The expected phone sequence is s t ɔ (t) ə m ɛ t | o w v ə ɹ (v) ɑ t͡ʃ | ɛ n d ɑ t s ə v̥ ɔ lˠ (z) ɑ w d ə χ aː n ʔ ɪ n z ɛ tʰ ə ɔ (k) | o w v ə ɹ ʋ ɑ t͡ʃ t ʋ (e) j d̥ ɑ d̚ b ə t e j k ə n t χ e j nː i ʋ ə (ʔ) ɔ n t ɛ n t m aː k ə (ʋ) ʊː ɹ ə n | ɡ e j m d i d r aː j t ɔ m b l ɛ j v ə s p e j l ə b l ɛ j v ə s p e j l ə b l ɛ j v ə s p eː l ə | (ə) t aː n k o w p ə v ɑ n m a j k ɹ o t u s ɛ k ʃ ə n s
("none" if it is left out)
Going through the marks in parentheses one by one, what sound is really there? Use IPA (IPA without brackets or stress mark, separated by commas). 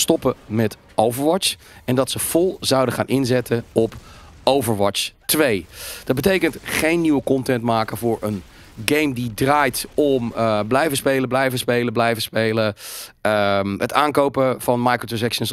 p, ʋ, z, p, e, k, v, ə